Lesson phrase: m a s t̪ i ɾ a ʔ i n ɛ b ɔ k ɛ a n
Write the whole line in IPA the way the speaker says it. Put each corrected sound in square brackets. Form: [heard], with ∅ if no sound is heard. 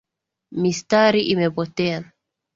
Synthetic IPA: m [i] s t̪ [a] ɾ [i] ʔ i [m] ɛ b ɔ [t] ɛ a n